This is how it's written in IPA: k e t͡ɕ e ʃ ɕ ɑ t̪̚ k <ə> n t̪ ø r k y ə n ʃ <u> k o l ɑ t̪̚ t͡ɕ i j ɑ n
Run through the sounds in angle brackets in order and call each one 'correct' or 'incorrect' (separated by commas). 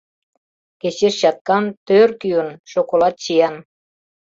incorrect, incorrect